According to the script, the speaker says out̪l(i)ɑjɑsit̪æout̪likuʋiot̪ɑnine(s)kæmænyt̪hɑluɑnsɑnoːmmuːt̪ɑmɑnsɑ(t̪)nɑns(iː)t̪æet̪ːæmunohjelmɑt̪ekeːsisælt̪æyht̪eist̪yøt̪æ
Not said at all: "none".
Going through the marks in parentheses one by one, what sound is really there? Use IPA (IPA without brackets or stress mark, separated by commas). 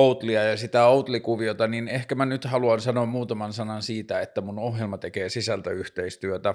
i, h, none, iː